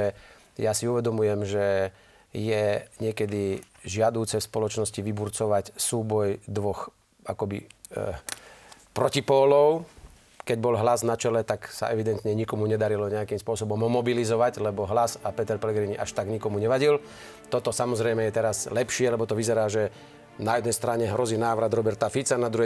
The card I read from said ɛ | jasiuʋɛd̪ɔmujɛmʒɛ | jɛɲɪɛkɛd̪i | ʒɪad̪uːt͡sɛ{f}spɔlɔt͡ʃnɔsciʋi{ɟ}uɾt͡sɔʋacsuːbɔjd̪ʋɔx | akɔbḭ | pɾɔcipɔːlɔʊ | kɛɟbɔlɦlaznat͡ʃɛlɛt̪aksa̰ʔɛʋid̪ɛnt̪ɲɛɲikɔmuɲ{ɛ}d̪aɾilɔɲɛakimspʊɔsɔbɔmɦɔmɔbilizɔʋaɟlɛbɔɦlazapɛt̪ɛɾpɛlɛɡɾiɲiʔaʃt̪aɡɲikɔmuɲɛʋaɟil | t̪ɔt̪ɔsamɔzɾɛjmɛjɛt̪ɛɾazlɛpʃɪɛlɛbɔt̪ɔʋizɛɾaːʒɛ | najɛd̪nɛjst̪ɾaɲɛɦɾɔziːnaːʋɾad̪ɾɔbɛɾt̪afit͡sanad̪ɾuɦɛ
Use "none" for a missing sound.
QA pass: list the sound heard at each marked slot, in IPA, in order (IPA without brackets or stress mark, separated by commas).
f, b, ɛ